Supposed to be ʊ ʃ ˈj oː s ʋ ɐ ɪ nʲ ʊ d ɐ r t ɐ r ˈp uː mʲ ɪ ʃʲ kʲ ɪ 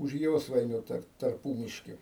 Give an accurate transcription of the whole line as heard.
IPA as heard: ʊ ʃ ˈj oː s ʋ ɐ ɪ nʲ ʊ t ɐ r t ɐ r ˈp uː mʲ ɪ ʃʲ kʲ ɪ